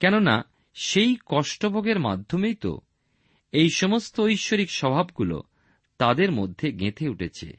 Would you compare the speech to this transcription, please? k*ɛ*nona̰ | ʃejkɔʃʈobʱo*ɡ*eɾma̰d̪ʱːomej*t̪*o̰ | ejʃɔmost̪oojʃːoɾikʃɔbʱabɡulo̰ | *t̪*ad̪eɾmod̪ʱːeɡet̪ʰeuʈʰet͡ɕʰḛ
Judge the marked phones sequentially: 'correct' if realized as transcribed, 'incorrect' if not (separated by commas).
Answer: correct, correct, correct, correct